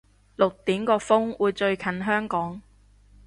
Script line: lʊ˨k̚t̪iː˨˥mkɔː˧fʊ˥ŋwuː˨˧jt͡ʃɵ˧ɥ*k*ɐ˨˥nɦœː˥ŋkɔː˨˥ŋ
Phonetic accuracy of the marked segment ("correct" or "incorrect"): incorrect